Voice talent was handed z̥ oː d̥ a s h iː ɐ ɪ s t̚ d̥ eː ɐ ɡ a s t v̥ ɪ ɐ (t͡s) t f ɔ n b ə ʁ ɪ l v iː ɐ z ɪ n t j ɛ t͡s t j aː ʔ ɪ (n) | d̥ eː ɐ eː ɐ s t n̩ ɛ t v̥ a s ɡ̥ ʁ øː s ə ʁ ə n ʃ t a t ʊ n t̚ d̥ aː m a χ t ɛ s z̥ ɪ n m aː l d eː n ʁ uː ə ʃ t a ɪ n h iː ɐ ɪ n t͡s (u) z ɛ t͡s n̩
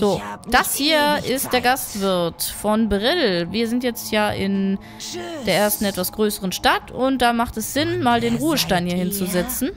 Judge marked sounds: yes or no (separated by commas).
no, yes, yes